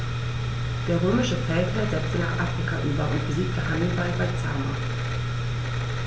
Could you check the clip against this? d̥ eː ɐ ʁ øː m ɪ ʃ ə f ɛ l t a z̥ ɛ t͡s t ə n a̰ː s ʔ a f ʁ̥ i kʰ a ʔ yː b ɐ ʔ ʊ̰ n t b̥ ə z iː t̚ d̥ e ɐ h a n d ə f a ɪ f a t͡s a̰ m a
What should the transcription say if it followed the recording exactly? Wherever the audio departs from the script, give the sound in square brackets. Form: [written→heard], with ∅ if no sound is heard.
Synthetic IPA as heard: d̥ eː ɐ ʁ øː m ɪ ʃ ə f ɛ l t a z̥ ɛ t͡s t ə n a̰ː [s→χ] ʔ a f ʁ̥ i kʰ a ʔ yː b ɐ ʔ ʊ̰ n t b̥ ə z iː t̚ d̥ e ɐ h a n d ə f a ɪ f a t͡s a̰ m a

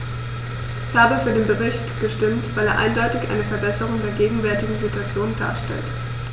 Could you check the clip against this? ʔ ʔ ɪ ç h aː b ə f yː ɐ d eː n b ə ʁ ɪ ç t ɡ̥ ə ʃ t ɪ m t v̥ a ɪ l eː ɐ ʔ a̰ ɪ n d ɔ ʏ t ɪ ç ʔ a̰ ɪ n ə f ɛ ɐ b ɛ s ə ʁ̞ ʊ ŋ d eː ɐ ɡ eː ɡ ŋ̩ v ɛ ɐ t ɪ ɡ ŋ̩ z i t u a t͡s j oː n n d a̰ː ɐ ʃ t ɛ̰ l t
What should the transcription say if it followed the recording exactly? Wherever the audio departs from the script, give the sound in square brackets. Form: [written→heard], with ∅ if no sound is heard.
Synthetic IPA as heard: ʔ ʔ ɪ ç h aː b ə f yː ɐ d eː n b ə ʁ ɪ ç t ɡ̥ ə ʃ t ɪ m t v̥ a ɪ l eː ɐ ʔ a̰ ɪ n d ɔ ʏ t ɪ ç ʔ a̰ ɪ n ə f ɛ ɐ b ɛ s ə ʁ̞ ʊ ŋ d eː ɐ ɡ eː ɡ ŋ̩ v ɛ ɐ t ɪ ɡ ŋ̩ z i t u a t͡s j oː n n d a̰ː ɐ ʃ t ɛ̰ l t

